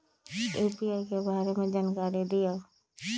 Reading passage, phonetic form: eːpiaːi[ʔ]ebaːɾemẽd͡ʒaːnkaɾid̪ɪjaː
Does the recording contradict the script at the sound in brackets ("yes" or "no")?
yes